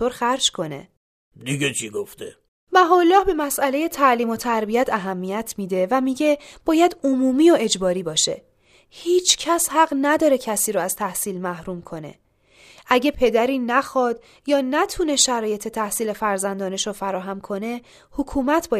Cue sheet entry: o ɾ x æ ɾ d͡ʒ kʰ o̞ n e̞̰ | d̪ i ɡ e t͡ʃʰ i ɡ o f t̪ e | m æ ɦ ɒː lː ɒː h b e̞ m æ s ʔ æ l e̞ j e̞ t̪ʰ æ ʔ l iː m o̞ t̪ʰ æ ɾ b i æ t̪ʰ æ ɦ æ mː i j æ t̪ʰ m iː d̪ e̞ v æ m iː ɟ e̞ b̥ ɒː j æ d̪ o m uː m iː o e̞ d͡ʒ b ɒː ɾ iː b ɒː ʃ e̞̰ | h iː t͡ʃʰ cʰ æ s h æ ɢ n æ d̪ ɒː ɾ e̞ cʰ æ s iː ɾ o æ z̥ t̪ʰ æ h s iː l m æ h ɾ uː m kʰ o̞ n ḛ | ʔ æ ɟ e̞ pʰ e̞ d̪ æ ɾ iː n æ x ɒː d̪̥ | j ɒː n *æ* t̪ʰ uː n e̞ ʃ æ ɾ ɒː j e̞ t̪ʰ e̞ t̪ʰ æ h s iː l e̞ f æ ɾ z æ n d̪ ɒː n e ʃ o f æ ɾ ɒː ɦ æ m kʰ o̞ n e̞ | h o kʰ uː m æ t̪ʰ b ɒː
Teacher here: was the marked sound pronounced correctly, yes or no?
yes